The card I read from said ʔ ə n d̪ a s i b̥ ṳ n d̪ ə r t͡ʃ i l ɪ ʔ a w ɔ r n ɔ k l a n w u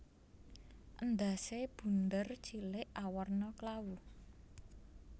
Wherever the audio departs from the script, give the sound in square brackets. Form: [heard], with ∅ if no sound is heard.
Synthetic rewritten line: ʔ ə n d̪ a s [e] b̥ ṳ n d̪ ə r t͡ʃ i l ɪ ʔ a w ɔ r n ɔ k l a [∅] w u